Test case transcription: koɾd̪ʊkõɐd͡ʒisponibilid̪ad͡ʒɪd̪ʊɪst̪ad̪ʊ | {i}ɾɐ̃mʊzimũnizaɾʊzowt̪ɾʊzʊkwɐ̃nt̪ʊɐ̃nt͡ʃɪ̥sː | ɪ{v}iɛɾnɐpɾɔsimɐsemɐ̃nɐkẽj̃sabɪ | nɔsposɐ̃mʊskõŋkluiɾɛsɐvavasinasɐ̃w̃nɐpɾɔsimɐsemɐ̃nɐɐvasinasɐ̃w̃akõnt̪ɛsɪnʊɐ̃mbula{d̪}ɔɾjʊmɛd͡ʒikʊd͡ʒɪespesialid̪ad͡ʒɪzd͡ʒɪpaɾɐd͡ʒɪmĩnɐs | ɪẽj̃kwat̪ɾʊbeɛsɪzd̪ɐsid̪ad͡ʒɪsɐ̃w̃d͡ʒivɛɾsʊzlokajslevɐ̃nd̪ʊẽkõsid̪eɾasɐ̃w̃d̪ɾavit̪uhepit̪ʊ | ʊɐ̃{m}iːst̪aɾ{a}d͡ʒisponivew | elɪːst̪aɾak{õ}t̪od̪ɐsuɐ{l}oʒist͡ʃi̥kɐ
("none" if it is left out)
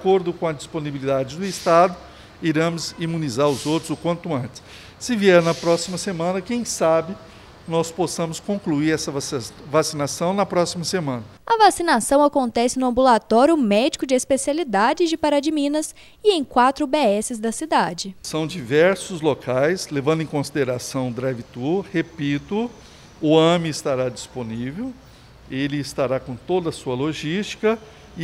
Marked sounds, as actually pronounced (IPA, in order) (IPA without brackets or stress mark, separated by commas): i, v, t̪, m, a, õ, l